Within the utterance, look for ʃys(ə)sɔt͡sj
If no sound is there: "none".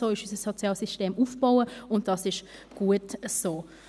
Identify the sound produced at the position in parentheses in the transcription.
ə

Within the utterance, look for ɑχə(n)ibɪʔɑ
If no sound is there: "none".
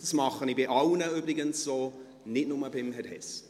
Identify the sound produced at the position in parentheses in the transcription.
n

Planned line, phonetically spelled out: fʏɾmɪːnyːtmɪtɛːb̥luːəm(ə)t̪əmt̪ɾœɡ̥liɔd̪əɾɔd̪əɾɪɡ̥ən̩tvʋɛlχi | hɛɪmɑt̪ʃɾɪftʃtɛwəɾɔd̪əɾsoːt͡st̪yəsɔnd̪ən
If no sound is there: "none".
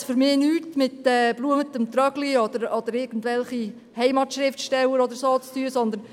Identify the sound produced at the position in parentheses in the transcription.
ə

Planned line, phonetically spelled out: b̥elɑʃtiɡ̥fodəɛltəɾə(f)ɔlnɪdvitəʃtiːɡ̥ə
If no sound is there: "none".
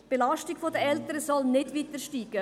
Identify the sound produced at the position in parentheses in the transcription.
s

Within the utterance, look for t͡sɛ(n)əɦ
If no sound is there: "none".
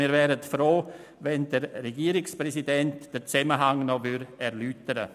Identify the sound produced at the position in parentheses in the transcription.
m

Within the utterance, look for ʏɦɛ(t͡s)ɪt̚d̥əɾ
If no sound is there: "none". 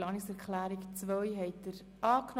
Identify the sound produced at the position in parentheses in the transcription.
none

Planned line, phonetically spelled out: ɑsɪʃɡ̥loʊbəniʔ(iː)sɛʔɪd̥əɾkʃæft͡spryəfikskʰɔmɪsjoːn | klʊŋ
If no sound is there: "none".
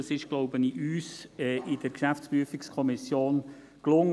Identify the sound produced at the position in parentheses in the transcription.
yː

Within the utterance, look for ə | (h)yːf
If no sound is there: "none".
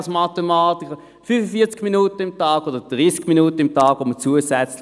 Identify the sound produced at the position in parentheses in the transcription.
f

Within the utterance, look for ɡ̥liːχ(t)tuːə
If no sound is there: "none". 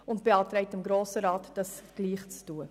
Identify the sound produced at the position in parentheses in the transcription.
t͡s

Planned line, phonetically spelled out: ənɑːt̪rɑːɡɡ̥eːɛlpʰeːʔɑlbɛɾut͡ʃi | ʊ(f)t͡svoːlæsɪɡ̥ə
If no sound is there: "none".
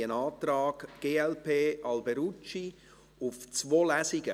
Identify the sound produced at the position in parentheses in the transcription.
f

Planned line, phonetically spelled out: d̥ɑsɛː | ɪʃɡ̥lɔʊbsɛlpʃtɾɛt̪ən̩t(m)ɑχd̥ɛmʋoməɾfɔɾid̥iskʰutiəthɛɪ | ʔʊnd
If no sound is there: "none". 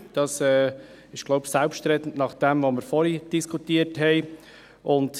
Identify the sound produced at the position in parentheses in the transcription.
n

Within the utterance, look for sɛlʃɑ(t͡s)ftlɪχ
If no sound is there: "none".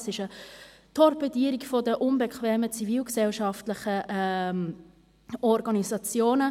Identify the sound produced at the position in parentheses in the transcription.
none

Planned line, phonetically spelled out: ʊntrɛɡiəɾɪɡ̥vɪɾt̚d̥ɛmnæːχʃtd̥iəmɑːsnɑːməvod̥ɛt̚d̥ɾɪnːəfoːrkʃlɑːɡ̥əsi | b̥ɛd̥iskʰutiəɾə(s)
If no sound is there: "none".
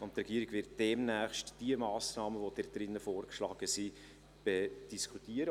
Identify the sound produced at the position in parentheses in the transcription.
none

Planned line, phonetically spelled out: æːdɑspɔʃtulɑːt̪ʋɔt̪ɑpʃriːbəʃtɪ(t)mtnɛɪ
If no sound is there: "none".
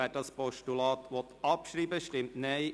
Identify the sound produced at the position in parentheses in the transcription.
none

